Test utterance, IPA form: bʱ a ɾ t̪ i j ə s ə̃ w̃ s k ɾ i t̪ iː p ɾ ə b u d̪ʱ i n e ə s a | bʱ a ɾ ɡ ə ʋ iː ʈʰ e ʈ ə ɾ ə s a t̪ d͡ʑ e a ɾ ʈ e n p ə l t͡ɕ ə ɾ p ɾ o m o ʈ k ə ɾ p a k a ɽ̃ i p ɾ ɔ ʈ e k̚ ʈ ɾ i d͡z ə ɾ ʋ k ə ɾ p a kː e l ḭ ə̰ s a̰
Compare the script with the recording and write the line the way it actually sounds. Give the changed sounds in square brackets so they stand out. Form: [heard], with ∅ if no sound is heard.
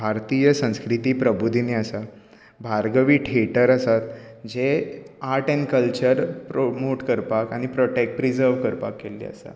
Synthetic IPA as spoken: bʱ a ɾ t̪ i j ə s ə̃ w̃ s k ɾ i t̪ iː p ɾ ə b u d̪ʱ i n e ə s a | bʱ a ɾ ɡ ə ʋ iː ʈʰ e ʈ ə ɾ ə s a t̪ d͡ʑ e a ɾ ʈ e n [k] ə l t͡ɕ ə ɾ p ɾ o m o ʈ k ə ɾ p a k a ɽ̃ i p ɾ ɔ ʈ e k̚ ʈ ɾ i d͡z ə ɾ ʋ k ə ɾ p a kː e l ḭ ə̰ s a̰